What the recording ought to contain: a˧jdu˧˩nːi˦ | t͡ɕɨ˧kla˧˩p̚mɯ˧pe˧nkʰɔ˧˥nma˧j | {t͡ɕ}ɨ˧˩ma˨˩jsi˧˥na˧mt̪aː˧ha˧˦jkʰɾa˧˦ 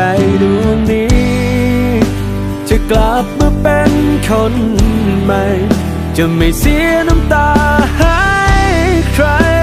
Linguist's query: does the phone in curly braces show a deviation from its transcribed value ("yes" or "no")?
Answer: no